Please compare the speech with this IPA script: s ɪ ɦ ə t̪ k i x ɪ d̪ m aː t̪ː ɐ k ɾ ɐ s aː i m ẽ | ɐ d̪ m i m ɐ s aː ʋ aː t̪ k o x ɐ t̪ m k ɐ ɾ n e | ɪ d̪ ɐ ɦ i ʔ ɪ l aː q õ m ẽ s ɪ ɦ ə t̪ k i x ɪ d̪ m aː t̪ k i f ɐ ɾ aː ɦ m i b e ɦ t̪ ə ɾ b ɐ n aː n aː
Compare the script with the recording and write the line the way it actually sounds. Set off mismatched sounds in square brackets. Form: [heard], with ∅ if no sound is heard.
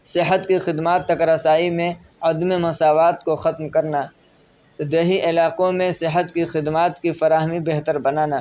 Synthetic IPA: s ɪ ɦ ə t̪ k i x ɪ d̪ m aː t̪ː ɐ k ɾ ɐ s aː i m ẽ | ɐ d̪ m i m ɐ s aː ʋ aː t̪ k o x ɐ t̪ m k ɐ ɾ n [a] | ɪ d̪ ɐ ɦ i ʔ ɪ l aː q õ m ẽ s ɪ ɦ ə t̪ k i x ɪ d̪ m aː t̪ k i f ɐ ɾ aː ɦ m i b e ɦ t̪ ə ɾ b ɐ n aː n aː